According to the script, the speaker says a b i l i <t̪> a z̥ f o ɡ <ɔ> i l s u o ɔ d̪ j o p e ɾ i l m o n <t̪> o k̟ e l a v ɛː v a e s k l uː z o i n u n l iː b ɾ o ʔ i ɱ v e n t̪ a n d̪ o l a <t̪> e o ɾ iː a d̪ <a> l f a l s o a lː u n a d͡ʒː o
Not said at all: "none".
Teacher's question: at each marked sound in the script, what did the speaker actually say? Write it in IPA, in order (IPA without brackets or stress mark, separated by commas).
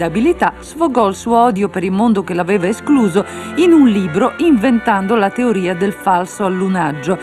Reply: t̪, ɔ, d̪, t̪, e